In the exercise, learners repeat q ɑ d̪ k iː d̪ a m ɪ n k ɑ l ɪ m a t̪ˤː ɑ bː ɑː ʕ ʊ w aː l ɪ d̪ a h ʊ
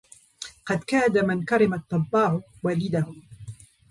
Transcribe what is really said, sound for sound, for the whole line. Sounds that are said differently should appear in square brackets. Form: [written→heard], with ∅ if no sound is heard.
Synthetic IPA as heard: q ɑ d̪ k [iː→aː] d̪ a m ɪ n k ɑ [l→ɾ] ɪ m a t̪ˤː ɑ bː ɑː ʕ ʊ w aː l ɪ d̪ a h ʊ